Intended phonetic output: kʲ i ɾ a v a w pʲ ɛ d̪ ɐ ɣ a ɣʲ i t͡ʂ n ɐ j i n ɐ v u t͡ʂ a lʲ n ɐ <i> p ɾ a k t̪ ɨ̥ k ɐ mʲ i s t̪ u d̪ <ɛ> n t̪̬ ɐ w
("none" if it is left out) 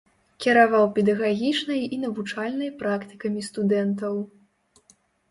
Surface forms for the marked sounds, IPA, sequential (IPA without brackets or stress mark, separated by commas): j, ɛ